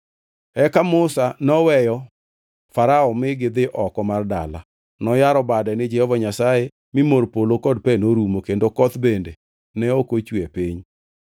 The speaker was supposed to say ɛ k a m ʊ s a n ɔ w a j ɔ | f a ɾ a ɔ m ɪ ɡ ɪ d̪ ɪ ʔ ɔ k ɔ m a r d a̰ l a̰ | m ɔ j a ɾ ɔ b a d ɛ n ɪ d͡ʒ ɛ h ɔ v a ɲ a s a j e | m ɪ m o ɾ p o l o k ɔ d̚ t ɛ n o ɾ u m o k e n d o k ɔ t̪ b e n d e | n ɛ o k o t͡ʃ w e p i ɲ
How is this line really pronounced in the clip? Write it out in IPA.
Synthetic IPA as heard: ɛ k a m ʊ s a n ɔ w ɛ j ɔ | f a ɾ a ɔ m ɪ ɡ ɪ d̪ ɪ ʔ ɔ k ɔ m a r d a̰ l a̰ | n ɔ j a ɾ ɔ b a d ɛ n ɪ d͡ʒ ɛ h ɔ v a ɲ a s a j e | m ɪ m o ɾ p o l o k ɔ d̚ p ɛ n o ɾ u m o k e n d o k ɔ t̪ b e n d e | n ɛ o k o t͡ʃ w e p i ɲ